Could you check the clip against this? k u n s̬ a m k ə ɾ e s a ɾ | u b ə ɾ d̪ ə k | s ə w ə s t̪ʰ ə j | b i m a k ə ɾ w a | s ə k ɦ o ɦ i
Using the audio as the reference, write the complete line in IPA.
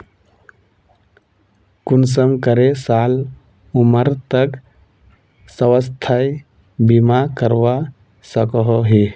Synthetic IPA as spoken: k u n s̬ ə m k ə ɾ e s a l | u m ə ɾ t̪ ə k | s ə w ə s t̪ʰ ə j | b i m a k ə ɾ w a | s ə k ɦ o ɦ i